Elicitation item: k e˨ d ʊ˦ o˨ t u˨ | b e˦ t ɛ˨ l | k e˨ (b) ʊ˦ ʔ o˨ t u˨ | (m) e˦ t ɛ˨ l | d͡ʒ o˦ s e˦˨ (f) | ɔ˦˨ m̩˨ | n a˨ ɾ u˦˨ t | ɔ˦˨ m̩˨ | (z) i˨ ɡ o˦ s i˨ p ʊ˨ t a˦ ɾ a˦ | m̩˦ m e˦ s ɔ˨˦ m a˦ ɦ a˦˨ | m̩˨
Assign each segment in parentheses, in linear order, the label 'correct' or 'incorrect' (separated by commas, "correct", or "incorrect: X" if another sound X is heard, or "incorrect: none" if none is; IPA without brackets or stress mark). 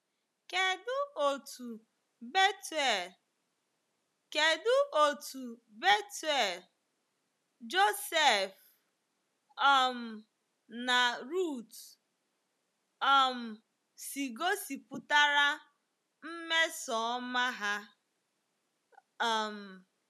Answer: incorrect: d, incorrect: b, correct, incorrect: s